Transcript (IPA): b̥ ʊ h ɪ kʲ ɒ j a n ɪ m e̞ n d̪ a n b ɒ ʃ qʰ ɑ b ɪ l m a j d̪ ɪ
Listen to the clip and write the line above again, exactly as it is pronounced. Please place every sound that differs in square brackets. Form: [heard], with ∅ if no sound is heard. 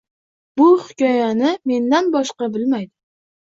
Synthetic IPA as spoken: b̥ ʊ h ɪ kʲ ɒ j a n ɪ m e̞ n d̪ a n b ɒ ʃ [q] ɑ b ɪ l m a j d̪ ɪ